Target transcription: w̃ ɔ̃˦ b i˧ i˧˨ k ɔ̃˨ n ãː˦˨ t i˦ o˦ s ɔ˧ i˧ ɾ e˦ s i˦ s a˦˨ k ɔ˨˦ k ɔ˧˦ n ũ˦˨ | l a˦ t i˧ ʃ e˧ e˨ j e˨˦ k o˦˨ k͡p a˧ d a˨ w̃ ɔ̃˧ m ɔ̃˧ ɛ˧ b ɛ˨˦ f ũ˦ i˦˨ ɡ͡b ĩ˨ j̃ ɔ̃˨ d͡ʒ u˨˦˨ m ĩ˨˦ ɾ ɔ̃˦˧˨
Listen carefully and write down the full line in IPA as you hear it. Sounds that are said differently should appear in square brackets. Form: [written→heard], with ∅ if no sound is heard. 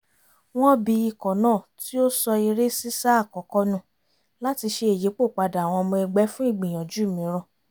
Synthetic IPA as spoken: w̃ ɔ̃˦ b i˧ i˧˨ k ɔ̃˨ n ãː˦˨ t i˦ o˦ s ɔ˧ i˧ ɾ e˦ s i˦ s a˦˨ k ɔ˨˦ k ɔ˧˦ n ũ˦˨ | l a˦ t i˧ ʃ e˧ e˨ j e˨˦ [k→k͡p] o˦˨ k͡p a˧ d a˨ w̃ ɔ̃˧ m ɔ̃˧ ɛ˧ [b→ɡ͡b] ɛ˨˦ f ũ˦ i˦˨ ɡ͡b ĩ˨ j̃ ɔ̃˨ d͡ʒ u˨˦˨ m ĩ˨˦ ɾ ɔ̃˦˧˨